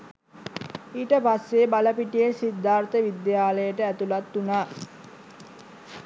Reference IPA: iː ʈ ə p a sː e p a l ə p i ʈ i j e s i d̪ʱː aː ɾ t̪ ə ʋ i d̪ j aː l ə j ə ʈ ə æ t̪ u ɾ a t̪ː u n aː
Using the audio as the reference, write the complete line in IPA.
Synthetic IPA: iː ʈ ə p a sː e b a l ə p i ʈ i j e s i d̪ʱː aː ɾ t̪ ə ʋ i d̪ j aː l ə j ə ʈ ə æ t̪ u l a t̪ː u n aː